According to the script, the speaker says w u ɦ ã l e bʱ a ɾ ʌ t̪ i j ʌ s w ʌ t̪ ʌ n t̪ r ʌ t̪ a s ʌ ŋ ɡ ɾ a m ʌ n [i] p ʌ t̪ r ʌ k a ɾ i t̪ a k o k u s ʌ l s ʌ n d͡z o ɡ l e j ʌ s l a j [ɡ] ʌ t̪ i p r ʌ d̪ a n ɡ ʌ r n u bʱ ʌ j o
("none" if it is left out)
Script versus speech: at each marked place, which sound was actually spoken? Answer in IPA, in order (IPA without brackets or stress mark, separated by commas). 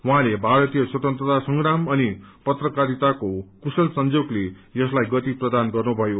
i, ɡ